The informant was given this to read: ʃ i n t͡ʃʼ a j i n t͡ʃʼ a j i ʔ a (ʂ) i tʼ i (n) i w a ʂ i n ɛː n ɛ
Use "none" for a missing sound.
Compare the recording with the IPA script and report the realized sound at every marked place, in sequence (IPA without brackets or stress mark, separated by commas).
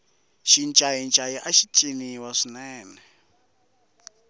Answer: ʃ, n